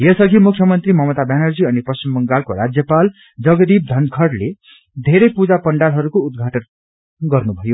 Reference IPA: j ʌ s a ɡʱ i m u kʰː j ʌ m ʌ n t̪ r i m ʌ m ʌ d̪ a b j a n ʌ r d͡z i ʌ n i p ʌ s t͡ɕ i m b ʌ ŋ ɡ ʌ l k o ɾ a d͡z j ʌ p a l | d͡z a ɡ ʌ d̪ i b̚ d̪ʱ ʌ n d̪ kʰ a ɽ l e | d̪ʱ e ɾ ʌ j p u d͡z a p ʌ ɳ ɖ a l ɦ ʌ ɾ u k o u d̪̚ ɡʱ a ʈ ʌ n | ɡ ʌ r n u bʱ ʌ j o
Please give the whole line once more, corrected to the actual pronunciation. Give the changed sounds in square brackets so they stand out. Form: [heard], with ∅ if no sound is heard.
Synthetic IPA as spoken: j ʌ s [ʌ] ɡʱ i m u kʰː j ʌ m ʌ n t̪ r i m ʌ m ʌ [t̪] a b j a n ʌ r d͡z i ʌ n i p ʌ s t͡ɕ i m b ʌ ŋ ɡ [a] l k o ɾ a d͡z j ʌ p a l | d͡z [ʌ] ɡ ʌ d̪ i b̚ d̪ʱ ʌ n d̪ kʰ [ʌ] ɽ l e | d̪ʱ e ɾ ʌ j p u d͡z a p ʌ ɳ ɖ a l ɦ ʌ ɾ u k o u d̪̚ ɡʱ a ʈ ʌ n | ɡ ʌ r n u bʱ ʌ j o